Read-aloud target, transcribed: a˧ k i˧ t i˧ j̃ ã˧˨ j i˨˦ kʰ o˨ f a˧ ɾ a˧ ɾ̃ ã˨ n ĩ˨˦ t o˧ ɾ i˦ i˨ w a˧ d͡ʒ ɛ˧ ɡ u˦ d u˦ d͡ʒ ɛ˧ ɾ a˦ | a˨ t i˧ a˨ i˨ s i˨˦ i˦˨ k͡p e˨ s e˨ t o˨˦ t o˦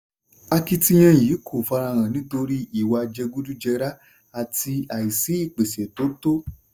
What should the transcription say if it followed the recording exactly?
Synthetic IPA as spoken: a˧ k i˧ t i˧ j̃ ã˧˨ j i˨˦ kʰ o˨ f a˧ ɾ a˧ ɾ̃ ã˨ n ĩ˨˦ t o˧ ɾ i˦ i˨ w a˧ d͡ʒ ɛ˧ ɡ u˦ d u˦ d͡ʒ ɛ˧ ɾ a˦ | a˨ t i˧ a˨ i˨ s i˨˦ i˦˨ k͡p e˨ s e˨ t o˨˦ t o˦

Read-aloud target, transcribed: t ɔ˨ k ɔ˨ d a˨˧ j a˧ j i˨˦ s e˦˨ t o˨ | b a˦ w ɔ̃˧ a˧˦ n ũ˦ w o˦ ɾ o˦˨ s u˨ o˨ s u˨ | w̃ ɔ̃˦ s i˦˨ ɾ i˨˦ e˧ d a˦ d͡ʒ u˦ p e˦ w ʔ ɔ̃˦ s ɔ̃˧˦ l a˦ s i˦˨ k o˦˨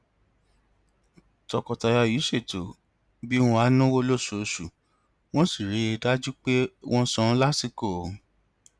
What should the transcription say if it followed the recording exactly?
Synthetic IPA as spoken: t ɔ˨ k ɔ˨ t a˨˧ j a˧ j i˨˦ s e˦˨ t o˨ | b i˦ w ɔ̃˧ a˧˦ n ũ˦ w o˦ l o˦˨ s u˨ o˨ s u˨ | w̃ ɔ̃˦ s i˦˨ ɾ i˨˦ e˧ d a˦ d͡ʒ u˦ k͡p e˦ w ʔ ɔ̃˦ s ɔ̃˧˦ l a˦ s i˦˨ k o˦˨

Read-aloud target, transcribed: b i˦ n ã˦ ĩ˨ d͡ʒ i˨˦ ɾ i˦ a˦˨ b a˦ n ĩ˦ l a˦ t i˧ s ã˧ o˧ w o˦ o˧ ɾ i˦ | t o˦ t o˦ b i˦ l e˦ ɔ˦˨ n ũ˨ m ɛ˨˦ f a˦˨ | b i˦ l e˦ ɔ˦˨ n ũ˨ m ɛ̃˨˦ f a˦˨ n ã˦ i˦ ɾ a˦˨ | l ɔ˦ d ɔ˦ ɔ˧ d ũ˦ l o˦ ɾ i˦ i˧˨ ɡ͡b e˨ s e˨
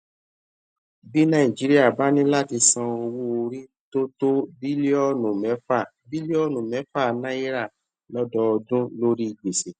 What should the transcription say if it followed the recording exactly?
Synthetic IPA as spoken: b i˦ n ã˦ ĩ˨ d͡ʒ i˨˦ ɾ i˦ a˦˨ b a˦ n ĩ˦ l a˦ t i˧ s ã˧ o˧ w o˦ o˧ ɾ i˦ | t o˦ t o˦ b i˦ l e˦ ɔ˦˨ n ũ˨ m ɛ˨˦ f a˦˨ | b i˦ l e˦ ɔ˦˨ n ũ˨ m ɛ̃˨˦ f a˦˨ n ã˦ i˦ ɾ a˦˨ | l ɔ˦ d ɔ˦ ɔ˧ d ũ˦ l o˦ ɾ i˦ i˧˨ ɡ͡b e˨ s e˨

